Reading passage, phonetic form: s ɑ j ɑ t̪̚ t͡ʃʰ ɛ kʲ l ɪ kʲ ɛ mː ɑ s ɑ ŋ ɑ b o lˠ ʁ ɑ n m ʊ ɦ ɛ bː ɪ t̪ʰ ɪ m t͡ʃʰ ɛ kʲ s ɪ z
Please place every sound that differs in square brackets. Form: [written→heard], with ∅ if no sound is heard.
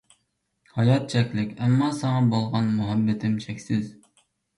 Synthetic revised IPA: [s→h] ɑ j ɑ t̪̚ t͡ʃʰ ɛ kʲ l ɪ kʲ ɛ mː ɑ s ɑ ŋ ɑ b o lˠ ʁ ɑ n m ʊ ɦ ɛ bː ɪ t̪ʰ ɪ m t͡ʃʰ ɛ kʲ s ɪ z